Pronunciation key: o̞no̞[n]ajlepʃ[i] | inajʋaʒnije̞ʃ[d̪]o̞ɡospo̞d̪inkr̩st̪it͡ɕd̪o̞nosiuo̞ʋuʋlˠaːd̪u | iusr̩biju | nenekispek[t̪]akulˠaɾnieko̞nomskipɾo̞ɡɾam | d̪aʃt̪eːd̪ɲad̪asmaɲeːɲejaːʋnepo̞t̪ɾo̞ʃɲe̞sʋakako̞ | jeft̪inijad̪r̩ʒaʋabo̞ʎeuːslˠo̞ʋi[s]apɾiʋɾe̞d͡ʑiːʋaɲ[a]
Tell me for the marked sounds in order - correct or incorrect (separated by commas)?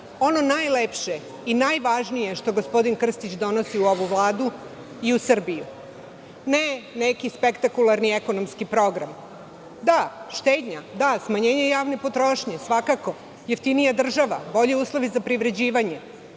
correct, incorrect, incorrect, correct, incorrect, incorrect